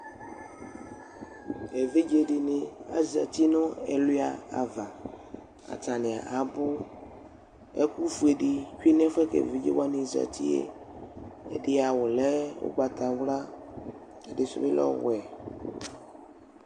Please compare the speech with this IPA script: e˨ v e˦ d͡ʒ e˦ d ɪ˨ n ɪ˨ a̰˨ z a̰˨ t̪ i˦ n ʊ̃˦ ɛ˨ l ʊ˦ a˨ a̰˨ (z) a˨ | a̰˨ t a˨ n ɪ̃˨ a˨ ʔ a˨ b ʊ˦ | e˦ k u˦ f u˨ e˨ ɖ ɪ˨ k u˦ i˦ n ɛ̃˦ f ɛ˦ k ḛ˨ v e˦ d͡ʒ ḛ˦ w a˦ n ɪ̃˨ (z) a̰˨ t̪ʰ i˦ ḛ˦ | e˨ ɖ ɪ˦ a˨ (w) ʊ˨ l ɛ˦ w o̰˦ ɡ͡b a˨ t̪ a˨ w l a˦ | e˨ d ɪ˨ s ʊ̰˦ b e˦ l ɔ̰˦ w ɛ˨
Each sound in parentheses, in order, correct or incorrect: incorrect: v, correct, correct

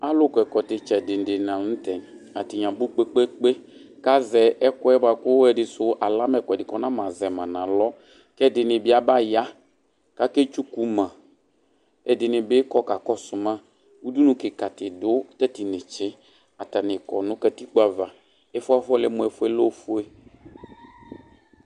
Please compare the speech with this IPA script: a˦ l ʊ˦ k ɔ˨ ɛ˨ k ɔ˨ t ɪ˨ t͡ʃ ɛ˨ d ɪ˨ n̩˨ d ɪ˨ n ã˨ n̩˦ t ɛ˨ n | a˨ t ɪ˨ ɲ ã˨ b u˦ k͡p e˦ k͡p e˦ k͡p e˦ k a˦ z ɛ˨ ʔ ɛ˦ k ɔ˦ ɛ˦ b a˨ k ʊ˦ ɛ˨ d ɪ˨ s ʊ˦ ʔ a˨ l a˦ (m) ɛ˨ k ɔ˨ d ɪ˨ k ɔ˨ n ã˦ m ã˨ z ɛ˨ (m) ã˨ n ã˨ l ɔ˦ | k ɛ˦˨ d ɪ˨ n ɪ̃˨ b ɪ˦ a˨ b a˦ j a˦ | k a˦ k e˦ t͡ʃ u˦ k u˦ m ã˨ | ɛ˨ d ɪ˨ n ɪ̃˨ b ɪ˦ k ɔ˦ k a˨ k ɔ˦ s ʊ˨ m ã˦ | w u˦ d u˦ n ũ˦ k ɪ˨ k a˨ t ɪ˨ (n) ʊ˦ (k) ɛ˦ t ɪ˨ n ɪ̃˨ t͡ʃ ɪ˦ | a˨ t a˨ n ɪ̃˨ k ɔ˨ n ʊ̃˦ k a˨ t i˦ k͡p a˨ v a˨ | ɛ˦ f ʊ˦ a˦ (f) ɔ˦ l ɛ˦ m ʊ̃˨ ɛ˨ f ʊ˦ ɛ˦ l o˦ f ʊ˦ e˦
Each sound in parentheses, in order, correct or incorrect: correct, correct, incorrect: d, incorrect: t, correct

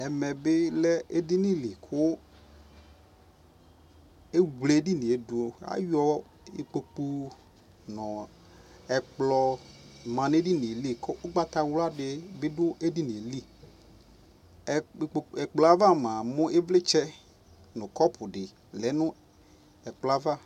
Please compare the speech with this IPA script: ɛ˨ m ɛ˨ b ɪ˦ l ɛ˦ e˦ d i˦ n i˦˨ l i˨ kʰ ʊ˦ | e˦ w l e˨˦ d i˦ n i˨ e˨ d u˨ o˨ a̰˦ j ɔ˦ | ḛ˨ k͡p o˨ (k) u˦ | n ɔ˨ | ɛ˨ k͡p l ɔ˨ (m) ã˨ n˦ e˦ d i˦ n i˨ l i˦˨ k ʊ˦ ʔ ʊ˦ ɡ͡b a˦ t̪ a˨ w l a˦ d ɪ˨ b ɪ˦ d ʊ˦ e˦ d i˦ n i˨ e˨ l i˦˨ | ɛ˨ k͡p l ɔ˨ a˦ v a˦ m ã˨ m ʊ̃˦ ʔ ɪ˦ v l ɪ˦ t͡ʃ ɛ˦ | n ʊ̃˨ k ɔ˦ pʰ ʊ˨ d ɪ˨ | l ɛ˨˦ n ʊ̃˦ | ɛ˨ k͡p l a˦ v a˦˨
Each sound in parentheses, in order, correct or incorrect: incorrect: k͡p, correct

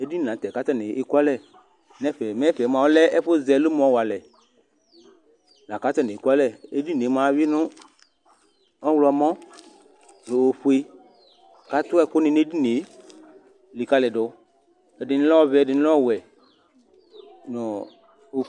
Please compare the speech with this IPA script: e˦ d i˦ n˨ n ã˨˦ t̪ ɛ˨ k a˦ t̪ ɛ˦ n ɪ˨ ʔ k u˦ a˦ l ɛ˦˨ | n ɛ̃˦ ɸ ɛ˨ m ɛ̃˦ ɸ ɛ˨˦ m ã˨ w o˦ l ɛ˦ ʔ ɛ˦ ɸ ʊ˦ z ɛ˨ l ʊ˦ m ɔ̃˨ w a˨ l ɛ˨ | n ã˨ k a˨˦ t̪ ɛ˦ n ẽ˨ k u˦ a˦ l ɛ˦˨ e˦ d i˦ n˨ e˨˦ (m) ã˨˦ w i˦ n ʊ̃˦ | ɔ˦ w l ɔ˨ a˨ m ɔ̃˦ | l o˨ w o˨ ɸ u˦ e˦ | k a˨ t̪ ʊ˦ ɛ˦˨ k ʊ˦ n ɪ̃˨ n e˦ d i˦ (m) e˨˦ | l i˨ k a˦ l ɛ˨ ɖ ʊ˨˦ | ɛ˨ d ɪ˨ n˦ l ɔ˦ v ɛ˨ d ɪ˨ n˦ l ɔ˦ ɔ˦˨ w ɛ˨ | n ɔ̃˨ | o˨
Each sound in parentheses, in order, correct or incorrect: correct, incorrect: n

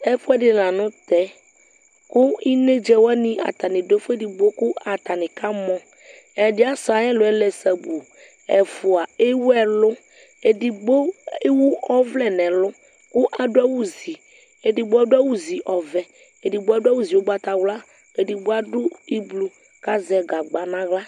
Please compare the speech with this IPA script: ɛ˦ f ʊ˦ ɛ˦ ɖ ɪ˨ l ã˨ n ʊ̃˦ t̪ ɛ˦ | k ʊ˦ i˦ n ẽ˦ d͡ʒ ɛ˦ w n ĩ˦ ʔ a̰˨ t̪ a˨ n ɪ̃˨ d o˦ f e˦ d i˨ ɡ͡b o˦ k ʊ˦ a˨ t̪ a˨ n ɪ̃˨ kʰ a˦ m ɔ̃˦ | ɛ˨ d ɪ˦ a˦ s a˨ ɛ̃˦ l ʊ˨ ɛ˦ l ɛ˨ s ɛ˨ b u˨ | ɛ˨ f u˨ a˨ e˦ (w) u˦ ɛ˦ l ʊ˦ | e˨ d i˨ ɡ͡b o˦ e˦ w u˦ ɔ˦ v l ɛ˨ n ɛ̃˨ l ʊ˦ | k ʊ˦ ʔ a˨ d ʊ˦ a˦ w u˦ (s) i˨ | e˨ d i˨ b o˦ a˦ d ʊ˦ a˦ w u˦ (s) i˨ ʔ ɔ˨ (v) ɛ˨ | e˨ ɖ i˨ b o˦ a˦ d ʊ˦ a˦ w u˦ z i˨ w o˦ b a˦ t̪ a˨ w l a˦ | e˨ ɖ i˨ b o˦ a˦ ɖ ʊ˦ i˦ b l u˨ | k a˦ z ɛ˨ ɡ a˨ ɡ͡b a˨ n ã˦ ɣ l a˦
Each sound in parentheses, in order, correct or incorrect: correct, incorrect: z, incorrect: z, correct

